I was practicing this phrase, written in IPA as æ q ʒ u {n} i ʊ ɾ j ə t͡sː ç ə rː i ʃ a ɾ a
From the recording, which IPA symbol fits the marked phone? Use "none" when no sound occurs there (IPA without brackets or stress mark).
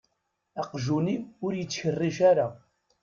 n